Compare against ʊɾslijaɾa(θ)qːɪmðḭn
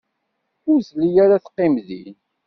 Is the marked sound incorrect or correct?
correct